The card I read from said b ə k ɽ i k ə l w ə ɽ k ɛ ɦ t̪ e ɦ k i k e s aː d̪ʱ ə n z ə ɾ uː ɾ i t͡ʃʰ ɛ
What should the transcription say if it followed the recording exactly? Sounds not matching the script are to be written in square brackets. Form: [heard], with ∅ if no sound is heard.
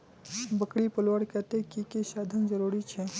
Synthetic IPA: b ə k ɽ i [p] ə l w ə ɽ k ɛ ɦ t̪ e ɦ k i k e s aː d̪ʱ ə n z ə ɾ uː ɾ i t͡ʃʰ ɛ